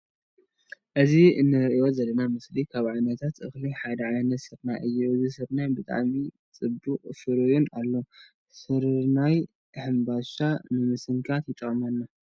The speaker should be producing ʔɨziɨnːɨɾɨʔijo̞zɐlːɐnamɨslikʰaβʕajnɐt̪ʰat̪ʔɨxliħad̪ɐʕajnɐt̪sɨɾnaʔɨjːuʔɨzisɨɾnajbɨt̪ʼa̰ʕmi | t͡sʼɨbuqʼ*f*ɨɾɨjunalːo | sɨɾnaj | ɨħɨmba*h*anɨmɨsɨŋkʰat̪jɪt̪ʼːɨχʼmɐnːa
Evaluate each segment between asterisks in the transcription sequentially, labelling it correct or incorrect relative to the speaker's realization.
correct, incorrect: ʃ

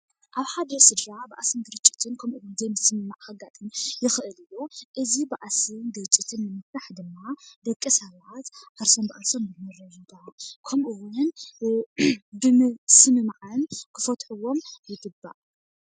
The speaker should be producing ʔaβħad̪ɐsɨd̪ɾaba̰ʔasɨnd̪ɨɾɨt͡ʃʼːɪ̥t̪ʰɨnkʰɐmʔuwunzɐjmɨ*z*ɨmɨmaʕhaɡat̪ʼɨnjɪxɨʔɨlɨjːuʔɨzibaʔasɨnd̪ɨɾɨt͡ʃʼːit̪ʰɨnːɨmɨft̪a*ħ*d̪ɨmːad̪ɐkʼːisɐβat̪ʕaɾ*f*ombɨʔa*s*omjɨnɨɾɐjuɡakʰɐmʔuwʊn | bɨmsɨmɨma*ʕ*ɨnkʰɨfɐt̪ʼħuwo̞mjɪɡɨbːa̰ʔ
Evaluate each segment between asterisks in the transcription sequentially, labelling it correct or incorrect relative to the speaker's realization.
incorrect: s, correct, incorrect: s, correct, correct

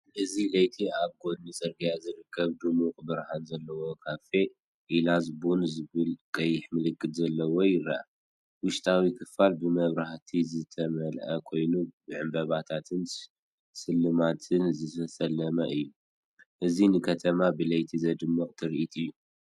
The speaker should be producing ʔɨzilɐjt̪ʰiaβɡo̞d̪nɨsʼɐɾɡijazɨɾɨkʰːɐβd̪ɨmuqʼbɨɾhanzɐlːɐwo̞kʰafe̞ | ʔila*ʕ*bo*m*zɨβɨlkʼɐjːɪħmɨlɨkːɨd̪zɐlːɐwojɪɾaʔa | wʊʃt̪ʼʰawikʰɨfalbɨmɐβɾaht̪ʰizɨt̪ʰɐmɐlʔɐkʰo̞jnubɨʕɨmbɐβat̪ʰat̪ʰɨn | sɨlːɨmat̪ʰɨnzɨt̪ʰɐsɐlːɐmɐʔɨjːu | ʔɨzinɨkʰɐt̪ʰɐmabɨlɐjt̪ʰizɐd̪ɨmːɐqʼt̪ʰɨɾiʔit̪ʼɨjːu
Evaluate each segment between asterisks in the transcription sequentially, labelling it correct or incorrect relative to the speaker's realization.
incorrect: z, incorrect: n

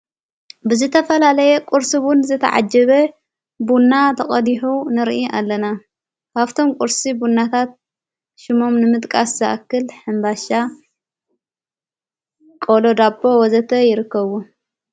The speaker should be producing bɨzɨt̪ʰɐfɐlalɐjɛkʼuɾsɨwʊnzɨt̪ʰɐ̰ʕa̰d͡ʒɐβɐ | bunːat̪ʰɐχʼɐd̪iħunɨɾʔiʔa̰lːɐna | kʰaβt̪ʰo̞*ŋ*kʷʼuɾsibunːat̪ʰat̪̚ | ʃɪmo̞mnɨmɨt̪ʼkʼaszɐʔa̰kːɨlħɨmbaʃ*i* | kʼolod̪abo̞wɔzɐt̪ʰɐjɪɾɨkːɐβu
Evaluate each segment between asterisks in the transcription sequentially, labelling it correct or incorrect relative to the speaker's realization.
incorrect: m, incorrect: a

